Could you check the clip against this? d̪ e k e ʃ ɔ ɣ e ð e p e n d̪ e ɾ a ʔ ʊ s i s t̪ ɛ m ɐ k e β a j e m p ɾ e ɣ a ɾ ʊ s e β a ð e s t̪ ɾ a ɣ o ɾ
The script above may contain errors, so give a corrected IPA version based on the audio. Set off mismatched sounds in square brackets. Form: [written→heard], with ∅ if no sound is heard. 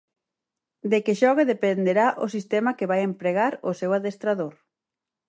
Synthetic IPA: d̪ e k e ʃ ɔ ɣ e ð e p e n d̪ e ɾ a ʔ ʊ s i s t̪ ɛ m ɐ k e β a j e m p ɾ e ɣ a ɾ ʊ s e [β→w] a ð e s t̪ ɾ a [ɣ→ð] o ɾ